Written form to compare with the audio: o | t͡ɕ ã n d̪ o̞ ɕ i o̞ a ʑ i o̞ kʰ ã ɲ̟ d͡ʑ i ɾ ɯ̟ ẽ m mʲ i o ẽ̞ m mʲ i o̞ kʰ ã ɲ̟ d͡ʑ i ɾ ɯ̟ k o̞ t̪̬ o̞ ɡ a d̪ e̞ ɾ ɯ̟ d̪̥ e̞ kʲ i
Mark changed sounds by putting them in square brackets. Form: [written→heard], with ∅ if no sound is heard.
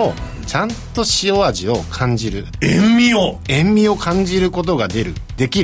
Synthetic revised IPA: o | t͡ɕ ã n [d̪→t̪] o̞ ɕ i o̞ a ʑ i o̞ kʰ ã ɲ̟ d͡ʑ i ɾ ɯ̟ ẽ m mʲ i o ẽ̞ m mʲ i o̞ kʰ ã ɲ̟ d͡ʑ i ɾ ɯ̟ k o̞ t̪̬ o̞ ɡ a d̪ e̞ ɾ ɯ̟ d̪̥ e̞ kʲ i